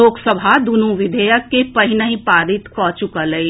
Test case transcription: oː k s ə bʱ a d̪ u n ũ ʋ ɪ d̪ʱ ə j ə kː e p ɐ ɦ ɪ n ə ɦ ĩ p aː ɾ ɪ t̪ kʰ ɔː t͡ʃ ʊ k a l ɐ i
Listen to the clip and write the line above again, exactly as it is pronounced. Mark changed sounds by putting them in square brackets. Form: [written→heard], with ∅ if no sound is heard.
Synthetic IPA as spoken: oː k s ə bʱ a d̪ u n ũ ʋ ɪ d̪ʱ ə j ə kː e p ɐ ɦ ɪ n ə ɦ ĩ p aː ɾ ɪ t̪ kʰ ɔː t͡ʃ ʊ k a l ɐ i